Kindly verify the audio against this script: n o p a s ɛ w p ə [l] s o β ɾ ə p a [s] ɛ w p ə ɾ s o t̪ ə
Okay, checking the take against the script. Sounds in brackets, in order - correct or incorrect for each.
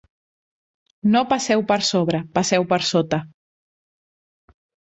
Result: incorrect: ɾ, correct

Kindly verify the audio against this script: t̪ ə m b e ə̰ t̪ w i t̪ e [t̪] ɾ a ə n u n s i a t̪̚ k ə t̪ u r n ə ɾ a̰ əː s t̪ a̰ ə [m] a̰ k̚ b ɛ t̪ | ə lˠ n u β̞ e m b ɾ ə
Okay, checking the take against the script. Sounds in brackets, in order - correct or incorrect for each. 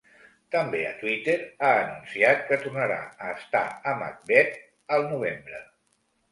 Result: incorrect: none, correct

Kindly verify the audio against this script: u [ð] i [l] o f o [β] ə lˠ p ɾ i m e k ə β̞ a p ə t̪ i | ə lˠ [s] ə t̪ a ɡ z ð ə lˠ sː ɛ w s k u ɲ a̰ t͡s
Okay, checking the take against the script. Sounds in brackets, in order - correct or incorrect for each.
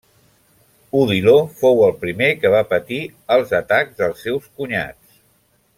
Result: correct, correct, incorrect: w, incorrect: z

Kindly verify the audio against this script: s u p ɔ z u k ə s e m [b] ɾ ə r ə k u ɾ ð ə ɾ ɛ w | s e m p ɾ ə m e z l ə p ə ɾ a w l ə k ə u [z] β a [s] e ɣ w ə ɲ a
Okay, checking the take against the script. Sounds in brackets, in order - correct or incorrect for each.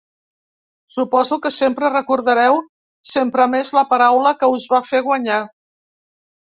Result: incorrect: p, correct, incorrect: f

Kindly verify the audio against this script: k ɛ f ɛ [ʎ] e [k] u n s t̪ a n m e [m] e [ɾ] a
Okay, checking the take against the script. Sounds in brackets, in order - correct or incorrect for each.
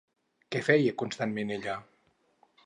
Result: incorrect: j, correct, incorrect: n, incorrect: ʎ

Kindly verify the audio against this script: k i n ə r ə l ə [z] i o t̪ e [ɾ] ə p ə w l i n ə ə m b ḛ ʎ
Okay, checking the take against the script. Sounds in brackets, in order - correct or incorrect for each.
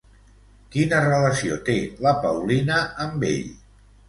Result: incorrect: s, incorrect: l

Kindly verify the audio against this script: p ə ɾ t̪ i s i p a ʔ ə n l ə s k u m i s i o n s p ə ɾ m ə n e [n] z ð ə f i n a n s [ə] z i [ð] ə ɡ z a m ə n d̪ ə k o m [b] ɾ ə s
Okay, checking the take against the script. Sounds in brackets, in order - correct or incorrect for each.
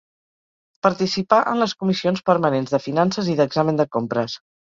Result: correct, correct, correct, incorrect: p

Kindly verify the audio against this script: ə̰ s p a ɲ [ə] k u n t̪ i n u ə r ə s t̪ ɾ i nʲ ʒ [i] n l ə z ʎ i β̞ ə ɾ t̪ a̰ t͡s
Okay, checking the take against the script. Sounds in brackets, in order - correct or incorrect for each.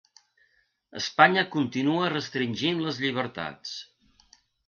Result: correct, correct

